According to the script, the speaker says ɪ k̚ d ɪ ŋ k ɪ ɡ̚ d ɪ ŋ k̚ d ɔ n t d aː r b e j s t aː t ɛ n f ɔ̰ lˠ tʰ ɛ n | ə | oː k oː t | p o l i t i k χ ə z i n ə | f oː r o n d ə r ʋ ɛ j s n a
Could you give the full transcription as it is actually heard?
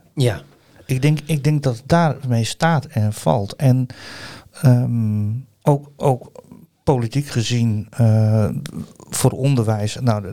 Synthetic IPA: ɪ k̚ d ɪ ŋ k ɪ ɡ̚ d ɪ ŋ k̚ d ɔ t d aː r m e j s t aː t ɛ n f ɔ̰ lˠ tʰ ɛ n | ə | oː k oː k | p o l i t i k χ ə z i n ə | f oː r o n d ə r ʋ ɛ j s n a